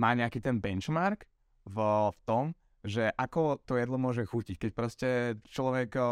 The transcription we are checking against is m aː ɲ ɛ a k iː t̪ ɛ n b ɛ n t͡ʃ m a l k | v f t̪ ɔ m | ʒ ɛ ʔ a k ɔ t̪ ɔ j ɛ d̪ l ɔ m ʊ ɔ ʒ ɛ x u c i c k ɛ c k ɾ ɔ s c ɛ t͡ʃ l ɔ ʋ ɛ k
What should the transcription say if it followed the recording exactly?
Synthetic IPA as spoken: m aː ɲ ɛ a k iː t̪ ɛ n b ɛ n t͡ʃ m a ɾ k | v f t̪ ɔ m | ʒ ɛ ʔ a k ɔ t̪ ɔ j ɛ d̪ l ɔ m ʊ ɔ ʒ ɛ x u c i c k ɛ c p ɾ ɔ s c ɛ t͡ʃ l ɔ ʋ ɛ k